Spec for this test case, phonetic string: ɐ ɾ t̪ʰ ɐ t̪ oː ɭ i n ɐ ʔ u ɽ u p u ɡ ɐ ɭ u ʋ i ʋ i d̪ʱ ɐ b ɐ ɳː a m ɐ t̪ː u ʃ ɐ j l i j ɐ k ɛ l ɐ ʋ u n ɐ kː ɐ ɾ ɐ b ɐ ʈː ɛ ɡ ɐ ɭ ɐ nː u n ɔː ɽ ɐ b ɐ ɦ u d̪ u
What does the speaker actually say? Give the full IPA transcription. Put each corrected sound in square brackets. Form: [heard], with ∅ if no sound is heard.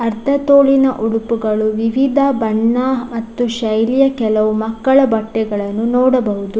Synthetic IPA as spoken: ɐ ɾ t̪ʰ ɐ t̪ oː ɭ i n ɐ ʔ u ɽ u p u ɡ ɐ ɭ u ʋ i ʋ i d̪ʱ ɐ b ɐ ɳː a m ɐ t̪ː u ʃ ɐ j l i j ɐ k ɛ l ɐ ʋ u [m] ɐ kː ɐ [ɭ] ɐ b ɐ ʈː ɛ ɡ ɐ ɭ ɐ nː u n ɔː ɽ ɐ b ɐ ɦ u d̪ u